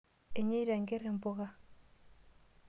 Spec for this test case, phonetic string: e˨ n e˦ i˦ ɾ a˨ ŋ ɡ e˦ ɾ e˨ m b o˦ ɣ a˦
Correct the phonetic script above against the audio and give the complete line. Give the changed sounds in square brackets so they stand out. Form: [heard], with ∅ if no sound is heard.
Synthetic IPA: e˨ [ɲ] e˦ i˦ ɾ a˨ ŋ ɡ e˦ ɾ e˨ m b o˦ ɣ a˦